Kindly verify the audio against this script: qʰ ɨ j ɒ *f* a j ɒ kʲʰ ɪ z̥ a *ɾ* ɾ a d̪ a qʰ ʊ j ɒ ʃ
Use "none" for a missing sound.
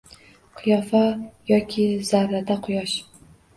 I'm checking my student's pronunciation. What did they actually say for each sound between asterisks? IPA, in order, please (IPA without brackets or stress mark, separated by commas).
f, ɾ